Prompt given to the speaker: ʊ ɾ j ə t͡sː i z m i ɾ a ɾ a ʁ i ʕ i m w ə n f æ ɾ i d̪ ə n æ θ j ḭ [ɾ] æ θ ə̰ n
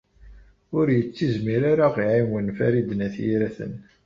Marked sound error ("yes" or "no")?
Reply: no